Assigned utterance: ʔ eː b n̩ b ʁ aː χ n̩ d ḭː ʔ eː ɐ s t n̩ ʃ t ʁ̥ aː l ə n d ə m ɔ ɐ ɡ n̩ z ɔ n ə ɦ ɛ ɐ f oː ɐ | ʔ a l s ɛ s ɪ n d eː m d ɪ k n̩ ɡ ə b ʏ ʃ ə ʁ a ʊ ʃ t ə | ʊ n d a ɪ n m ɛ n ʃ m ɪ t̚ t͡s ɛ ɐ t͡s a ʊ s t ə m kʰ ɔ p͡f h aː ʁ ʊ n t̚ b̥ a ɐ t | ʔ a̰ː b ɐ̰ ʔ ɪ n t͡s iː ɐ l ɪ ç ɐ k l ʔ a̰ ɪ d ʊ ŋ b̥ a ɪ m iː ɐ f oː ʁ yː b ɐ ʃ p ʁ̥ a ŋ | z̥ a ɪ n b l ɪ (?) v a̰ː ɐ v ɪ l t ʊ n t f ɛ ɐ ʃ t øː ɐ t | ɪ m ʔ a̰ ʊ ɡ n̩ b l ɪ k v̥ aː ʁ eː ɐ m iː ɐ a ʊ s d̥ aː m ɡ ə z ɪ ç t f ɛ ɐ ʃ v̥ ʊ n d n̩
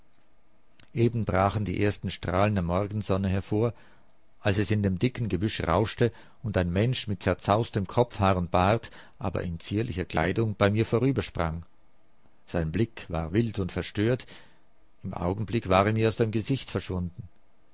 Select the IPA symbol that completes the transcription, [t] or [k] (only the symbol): k